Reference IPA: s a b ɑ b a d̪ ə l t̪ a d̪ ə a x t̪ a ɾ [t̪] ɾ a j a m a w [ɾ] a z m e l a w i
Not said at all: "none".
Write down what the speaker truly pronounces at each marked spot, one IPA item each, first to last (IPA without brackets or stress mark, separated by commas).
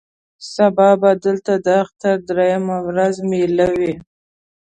d̪, ɾ